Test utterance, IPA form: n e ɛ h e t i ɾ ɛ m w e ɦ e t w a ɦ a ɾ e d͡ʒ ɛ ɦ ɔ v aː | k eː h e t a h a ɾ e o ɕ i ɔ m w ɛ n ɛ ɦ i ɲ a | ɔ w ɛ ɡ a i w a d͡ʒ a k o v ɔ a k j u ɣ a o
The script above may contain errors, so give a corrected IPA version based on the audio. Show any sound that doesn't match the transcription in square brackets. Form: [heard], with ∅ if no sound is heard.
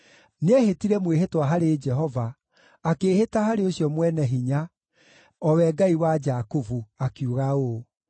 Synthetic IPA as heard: n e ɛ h e t i ɾ ɛ m w e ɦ e t w a ɦ a ɾ e d͡ʒ ɛ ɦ ɔ v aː | k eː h e t a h a ɾ e o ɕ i ɔ m w ɛ n ɛ ɦ i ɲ a | ɔ w ɛ ɡ a i w a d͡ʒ a k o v [u] a k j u ɣ a o